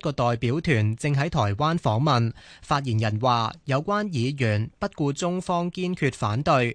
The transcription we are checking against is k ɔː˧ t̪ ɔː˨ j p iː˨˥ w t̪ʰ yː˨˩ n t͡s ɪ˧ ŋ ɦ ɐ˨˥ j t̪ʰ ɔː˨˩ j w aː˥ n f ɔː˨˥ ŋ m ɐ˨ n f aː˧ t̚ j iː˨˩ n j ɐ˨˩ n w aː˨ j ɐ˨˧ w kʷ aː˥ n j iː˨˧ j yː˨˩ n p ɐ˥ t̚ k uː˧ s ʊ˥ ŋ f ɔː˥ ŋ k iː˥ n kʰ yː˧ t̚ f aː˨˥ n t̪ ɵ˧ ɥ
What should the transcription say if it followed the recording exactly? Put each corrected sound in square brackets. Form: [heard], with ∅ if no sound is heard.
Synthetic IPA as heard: k ɔː˧ t̪ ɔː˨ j p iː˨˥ w t̪ʰ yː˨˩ n t͡s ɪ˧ ŋ ɦ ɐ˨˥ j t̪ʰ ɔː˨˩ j w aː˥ n f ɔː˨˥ ŋ m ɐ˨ n f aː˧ t̚ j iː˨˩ n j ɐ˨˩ n w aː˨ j ɐ˨˧ w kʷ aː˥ n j iː˨˧ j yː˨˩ n p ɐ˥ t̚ k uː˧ [t͡s] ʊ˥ ŋ f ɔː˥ ŋ k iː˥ n kʰ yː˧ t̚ f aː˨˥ n t̪ ɵ˧ ɥ